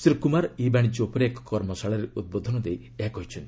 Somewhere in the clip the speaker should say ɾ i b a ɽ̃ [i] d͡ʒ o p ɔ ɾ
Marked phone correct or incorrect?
correct